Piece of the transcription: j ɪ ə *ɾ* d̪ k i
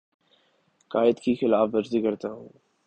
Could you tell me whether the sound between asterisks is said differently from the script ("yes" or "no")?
yes